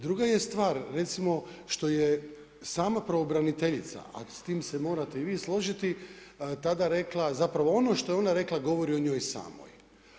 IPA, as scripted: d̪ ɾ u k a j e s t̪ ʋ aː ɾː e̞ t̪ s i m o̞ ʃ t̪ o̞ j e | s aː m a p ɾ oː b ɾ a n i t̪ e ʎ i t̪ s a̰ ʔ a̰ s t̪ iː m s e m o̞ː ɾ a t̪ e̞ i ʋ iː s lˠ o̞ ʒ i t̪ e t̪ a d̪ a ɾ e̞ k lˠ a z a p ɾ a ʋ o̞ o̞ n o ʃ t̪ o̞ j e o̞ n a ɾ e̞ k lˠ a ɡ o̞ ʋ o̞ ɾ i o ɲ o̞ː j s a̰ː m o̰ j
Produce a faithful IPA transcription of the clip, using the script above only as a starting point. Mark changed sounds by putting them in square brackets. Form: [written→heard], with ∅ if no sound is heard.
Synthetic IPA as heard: d̪ ɾ u [k→ɡ] a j e s t̪ ʋ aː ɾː e̞ t̪ s i m o̞ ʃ t̪ o̞ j e | s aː m a p ɾ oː b ɾ a n i t̪ e ʎ i t̪ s a̰ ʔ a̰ s t̪ iː m s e m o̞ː ɾ a t̪ e̞ i ʋ iː s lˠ o̞ ʒ i t̪ [e→i] t̪ a d̪ a ɾ e̞ k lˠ a z a p ɾ a ʋ o̞ o̞ n o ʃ t̪ o̞ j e o̞ n a ɾ e̞ k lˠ a ɡ o̞ ʋ o̞ ɾ i o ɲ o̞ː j s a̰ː m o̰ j